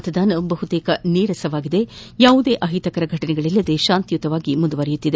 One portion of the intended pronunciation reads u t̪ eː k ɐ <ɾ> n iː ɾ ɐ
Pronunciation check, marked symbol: incorrect: none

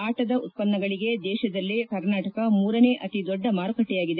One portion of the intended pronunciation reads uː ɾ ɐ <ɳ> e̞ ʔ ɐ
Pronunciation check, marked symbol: incorrect: n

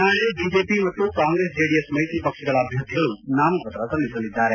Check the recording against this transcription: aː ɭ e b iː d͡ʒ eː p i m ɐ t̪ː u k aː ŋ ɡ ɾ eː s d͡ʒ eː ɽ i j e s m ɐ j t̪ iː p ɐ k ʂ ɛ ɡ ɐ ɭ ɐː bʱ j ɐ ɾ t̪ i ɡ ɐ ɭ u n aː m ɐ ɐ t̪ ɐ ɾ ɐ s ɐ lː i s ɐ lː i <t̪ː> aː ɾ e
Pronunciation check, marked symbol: incorrect: d̪ː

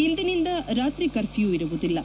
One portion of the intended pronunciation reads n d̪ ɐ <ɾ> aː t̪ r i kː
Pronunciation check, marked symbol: correct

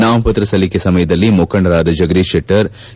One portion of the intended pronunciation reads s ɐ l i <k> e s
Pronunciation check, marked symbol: correct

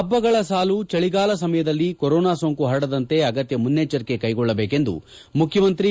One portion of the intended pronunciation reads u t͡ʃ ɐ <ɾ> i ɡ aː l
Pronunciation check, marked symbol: incorrect: ɭ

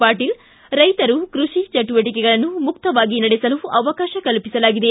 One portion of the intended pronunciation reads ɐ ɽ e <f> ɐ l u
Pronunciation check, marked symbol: incorrect: s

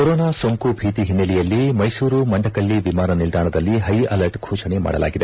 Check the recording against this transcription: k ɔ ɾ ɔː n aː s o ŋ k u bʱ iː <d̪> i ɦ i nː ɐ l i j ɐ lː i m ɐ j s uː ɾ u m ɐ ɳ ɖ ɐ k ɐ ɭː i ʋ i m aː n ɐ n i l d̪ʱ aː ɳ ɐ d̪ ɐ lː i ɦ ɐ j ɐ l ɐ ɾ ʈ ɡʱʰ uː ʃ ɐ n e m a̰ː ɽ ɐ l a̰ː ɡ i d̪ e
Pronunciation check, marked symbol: incorrect: t̪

